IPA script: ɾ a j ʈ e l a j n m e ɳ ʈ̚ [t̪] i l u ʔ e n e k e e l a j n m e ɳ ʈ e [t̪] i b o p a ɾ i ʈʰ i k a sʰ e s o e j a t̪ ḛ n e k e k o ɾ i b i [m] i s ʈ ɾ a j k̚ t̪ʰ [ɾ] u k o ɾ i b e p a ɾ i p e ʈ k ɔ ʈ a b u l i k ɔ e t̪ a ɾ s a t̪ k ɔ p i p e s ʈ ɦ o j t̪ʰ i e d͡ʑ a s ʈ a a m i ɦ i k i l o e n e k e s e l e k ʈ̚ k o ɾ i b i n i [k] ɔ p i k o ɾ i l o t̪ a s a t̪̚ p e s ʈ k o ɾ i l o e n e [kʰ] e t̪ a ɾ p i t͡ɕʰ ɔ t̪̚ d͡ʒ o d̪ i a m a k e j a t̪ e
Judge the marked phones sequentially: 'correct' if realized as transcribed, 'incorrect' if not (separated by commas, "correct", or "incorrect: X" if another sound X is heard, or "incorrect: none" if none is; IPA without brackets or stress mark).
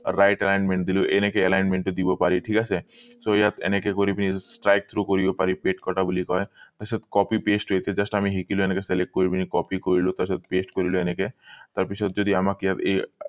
incorrect: d̪, incorrect: d̪, incorrect: n, correct, correct, incorrect: k